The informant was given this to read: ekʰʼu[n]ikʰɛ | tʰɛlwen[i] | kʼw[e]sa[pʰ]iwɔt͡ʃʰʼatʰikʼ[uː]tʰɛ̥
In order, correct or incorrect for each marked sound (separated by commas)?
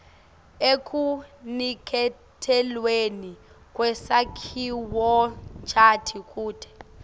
correct, correct, incorrect, incorrect, correct